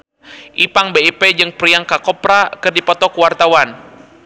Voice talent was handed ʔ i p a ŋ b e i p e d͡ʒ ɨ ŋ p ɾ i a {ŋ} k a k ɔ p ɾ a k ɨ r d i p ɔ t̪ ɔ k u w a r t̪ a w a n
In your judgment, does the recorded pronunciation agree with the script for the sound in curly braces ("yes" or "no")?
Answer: yes